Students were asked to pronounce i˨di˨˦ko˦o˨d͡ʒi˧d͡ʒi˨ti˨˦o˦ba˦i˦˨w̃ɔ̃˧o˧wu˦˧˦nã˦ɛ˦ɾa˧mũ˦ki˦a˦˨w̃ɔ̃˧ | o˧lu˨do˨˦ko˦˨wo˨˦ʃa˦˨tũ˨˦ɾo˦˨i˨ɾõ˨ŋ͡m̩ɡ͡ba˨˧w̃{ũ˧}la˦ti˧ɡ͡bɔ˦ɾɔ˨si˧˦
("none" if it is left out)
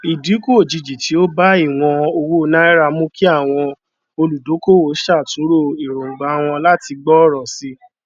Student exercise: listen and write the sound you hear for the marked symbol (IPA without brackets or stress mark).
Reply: ɔ̃˧